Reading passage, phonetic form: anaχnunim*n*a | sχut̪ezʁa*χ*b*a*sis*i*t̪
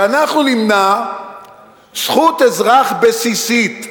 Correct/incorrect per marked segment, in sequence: correct, correct, incorrect, correct

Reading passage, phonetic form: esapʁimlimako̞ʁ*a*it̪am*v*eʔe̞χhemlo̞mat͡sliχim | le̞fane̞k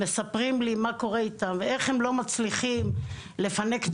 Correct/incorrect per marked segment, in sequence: incorrect, correct

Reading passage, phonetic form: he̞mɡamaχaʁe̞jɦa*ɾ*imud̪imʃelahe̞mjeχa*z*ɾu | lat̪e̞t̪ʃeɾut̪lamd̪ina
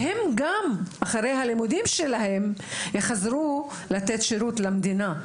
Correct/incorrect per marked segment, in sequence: incorrect, correct

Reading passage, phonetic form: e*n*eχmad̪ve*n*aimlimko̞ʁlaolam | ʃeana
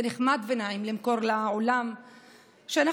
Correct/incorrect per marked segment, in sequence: correct, correct

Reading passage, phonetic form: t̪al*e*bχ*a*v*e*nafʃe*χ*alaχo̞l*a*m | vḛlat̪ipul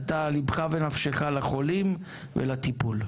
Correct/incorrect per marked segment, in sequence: incorrect, correct, correct, correct, incorrect

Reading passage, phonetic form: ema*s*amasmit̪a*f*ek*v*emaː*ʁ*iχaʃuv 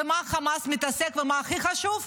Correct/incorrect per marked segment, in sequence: incorrect, incorrect, correct, incorrect

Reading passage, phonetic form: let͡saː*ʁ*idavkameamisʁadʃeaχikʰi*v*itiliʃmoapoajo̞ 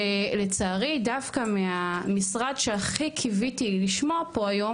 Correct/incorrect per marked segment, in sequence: correct, correct

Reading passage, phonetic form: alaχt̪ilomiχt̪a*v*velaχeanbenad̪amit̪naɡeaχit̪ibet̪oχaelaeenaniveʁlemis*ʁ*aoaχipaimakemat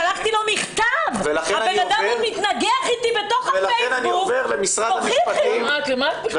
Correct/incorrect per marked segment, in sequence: correct, correct

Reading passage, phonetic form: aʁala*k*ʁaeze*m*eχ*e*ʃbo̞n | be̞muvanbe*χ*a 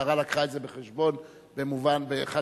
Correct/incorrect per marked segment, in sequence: correct, incorrect, correct, correct

